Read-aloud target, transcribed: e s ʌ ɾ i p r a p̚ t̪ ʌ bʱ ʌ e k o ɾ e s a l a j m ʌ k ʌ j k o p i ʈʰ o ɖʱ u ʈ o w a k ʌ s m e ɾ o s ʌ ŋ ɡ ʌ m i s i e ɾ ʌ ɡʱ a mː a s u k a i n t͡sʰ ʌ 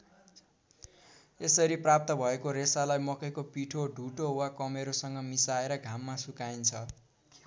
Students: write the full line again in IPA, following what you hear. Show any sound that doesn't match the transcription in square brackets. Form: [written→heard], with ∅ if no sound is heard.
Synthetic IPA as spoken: e s ʌ ɾ i p r a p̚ t̪ ʌ bʱ ʌ e k o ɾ e s a l a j m ʌ k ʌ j k o p i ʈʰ o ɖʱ u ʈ o w a k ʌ [s→∅] m e ɾ o s ʌ ŋ ɡ ʌ m i s [i→a] e ɾ ʌ ɡʱ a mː a s u k a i n t͡sʰ ʌ